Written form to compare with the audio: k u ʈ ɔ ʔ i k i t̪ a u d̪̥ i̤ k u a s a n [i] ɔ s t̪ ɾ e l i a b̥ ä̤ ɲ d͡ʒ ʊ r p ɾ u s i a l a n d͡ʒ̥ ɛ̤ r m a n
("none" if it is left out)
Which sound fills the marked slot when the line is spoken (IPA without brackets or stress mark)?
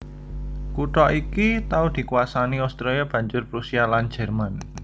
i